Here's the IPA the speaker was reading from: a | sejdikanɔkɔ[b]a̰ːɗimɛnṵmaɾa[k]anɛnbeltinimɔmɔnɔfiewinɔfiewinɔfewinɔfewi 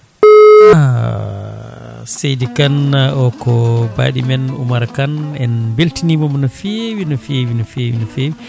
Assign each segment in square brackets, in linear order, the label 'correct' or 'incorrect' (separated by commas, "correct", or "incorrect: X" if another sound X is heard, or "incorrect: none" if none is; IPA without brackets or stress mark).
correct, correct